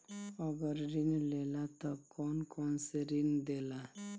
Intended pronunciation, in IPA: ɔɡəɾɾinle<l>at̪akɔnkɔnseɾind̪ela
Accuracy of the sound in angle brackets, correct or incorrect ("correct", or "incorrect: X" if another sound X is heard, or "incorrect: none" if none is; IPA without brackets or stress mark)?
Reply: correct